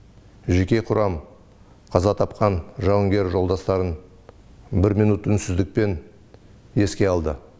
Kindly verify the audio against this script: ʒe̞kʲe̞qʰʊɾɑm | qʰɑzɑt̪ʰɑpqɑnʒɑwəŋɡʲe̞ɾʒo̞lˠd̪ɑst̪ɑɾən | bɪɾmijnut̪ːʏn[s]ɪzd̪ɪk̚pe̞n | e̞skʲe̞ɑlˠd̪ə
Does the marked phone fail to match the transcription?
no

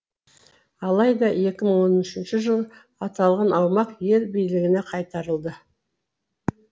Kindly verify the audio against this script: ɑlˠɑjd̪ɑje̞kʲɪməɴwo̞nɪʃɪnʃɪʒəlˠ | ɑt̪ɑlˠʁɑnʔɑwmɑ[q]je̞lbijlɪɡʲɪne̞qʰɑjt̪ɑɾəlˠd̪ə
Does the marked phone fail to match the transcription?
no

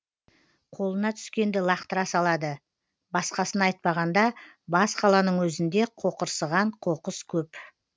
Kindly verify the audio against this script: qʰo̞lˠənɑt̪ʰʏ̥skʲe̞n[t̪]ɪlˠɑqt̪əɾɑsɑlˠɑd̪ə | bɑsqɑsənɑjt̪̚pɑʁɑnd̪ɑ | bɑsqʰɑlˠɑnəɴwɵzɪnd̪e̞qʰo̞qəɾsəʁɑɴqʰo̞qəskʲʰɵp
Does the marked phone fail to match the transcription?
yes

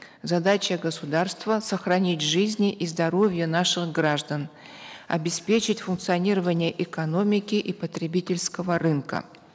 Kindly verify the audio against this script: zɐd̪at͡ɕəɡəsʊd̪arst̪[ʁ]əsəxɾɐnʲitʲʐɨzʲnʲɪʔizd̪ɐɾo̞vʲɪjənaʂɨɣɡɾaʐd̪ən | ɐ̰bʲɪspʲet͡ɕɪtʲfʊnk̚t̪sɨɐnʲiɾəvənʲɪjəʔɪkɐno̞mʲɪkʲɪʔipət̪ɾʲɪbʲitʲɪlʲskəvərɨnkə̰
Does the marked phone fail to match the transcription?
yes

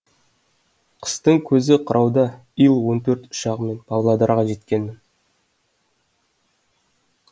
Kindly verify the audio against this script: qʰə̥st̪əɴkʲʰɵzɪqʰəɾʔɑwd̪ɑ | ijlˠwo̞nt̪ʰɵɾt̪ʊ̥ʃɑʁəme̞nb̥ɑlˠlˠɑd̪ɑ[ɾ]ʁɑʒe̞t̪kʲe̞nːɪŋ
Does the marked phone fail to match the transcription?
no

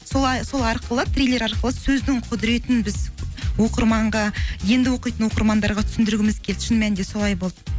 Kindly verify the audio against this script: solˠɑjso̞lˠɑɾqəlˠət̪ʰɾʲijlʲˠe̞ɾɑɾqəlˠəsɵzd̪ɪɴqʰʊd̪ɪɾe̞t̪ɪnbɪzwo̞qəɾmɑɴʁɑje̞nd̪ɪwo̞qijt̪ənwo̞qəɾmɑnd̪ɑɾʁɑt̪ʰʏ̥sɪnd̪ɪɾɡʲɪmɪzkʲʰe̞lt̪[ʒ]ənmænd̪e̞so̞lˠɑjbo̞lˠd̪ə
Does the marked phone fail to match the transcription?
yes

